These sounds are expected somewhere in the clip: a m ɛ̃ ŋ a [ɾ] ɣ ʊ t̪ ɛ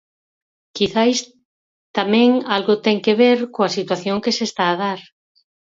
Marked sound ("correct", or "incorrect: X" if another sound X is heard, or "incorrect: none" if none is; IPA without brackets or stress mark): incorrect: l